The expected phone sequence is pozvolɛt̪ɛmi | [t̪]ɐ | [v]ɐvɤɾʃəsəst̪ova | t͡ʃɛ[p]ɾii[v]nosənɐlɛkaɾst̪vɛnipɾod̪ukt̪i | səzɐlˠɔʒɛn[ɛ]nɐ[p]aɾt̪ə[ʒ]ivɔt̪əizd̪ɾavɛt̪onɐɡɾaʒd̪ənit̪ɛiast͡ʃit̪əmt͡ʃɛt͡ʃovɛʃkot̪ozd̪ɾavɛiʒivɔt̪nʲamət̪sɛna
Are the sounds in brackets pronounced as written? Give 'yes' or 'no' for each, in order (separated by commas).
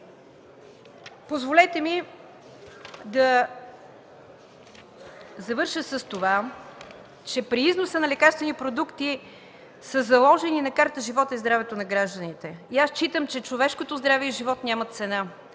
no, no, yes, no, no, no, yes